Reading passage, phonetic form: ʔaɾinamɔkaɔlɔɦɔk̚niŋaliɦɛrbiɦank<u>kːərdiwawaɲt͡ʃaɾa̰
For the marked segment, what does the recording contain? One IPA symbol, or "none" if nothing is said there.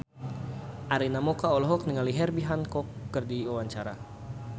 ɔ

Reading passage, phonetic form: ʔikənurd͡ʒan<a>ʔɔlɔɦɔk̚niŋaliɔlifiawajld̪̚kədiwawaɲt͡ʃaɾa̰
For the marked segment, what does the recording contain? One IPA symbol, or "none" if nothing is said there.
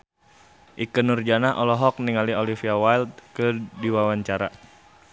a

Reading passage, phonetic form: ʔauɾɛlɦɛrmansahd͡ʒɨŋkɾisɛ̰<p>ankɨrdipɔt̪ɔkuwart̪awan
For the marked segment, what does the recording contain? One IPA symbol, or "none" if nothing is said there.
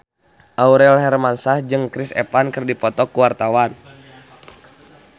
p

